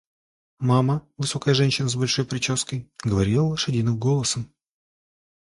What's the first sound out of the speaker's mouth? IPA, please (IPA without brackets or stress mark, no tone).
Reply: m